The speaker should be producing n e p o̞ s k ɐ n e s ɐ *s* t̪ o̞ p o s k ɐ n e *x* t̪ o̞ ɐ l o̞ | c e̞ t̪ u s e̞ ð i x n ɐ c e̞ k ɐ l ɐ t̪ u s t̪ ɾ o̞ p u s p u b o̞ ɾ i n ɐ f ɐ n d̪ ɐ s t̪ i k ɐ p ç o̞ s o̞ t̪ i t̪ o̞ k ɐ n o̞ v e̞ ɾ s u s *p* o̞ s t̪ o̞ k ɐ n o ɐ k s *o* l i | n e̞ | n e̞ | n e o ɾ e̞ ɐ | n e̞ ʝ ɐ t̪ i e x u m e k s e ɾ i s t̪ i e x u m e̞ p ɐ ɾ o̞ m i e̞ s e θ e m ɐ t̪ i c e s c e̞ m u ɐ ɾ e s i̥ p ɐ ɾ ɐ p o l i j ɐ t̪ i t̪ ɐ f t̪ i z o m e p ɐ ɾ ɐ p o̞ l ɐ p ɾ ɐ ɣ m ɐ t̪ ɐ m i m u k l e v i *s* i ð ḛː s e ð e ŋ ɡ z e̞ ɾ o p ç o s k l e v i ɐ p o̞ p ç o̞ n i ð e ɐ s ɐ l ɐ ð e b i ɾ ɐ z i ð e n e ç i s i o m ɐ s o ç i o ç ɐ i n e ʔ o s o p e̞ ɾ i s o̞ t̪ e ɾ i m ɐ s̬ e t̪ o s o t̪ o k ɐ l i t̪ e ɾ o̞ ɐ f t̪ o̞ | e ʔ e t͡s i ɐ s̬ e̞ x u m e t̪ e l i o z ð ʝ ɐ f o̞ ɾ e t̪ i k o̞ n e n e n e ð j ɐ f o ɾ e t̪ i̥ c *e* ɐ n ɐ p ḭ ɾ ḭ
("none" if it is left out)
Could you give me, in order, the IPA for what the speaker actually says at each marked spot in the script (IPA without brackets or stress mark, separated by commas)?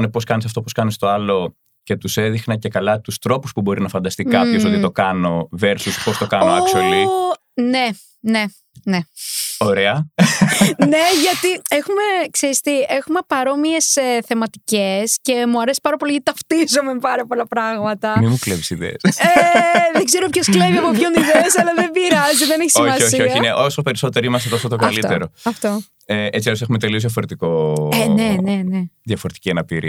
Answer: f, s, p, o, s, i